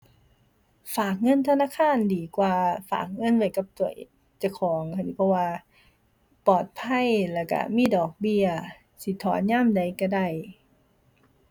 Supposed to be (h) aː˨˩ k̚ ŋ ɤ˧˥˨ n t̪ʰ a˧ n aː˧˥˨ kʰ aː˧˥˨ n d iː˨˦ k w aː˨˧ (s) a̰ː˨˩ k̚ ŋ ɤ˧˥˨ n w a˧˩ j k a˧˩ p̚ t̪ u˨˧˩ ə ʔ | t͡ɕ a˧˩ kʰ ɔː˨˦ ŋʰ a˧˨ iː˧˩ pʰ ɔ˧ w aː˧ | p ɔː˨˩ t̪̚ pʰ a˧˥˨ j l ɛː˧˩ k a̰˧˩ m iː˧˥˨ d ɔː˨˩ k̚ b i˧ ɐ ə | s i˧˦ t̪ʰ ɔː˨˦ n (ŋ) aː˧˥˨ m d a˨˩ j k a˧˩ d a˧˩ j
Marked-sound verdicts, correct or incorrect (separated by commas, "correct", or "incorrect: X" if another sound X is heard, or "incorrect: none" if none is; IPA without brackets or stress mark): incorrect: f, incorrect: f, incorrect: ɲ